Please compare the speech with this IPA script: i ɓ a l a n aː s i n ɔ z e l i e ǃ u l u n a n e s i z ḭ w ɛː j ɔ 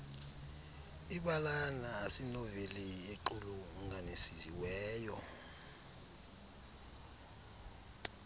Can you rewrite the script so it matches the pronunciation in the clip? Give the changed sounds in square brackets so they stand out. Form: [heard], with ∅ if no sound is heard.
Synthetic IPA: i ɓ a l a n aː s i n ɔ [v] e l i e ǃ u l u [ŋ] a n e s i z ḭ w ɛː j ɔ